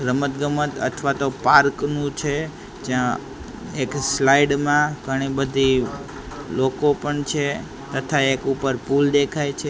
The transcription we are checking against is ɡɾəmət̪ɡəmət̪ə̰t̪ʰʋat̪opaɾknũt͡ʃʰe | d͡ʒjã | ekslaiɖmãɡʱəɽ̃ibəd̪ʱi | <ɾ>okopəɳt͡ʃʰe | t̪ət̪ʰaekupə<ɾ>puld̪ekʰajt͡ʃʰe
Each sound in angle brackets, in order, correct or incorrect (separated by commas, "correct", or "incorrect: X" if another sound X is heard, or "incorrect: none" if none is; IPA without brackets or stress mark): incorrect: l, correct